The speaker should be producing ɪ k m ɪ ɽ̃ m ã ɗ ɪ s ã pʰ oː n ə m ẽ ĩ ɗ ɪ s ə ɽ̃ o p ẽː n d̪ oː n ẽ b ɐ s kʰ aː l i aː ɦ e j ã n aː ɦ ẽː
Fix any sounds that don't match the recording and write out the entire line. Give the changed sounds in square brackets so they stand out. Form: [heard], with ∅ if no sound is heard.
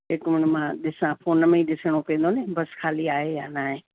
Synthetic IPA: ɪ k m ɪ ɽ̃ m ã ɗ ɪ s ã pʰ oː n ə m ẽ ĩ ɗ ɪ s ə ɽ̃ o p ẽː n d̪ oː n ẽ b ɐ s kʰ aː l i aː ɦ e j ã n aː ɦ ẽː